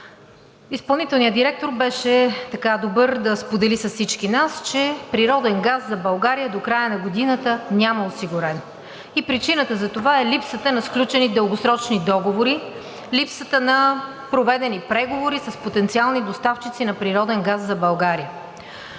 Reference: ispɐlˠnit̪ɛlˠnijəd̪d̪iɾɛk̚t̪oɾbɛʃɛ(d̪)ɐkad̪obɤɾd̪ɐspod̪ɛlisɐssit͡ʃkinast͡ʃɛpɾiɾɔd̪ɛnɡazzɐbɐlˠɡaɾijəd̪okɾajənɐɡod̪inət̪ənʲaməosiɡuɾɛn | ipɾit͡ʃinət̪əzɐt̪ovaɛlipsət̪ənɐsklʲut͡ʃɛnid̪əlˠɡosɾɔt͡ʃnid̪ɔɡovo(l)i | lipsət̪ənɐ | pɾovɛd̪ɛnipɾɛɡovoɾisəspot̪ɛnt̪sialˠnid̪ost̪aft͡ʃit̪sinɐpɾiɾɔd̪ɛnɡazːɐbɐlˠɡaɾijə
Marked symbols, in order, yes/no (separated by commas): no, no